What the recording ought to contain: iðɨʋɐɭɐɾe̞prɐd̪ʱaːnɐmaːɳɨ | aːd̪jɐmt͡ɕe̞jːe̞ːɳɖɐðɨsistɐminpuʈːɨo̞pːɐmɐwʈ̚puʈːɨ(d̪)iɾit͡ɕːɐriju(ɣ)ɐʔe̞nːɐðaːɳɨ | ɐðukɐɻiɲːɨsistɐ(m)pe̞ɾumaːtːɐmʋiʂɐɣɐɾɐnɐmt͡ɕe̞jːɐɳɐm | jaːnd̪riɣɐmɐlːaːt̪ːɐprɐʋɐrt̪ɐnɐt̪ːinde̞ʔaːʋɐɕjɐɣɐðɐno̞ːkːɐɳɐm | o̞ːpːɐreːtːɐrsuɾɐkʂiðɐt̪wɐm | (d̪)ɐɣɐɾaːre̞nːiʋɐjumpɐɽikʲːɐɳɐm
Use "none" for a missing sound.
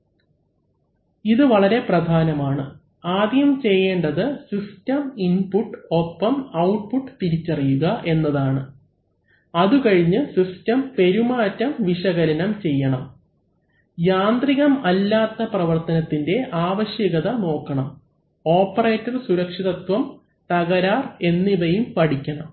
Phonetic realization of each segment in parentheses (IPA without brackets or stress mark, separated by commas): t̪, ɣ, m, t̪